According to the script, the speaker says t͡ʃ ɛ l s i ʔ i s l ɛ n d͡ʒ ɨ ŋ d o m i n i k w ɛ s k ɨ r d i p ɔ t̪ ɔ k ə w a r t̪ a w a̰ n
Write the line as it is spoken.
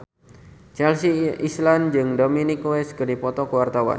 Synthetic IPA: t͡ʃ ɛ l s i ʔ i s l a n d͡ʒ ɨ ŋ d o m i n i k w ɛ s k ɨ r d i p ɔ t̪ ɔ k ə w a r t̪ a w a̰ n